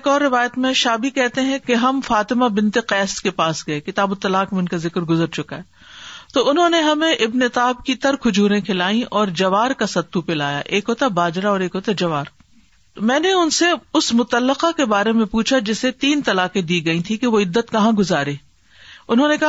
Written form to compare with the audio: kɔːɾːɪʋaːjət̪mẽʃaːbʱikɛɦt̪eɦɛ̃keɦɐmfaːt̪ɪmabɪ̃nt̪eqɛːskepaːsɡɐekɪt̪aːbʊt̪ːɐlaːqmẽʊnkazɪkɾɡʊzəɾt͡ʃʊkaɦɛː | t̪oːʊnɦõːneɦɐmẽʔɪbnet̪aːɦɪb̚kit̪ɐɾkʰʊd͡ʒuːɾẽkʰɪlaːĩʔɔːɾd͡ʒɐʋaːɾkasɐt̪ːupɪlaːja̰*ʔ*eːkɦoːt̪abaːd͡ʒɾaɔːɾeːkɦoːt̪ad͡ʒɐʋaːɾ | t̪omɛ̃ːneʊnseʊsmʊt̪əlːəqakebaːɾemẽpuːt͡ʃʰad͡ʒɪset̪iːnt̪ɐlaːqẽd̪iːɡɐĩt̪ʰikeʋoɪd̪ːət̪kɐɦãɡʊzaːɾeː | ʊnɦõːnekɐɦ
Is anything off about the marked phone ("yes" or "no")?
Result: no